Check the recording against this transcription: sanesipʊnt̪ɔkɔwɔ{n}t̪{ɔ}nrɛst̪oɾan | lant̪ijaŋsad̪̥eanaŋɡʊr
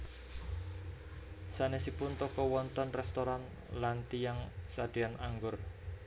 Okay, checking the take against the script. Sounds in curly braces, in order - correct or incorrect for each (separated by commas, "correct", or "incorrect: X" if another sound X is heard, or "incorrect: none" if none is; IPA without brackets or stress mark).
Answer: correct, correct